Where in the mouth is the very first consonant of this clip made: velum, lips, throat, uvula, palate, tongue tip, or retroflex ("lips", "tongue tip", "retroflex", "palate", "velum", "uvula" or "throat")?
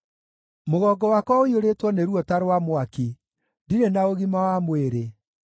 lips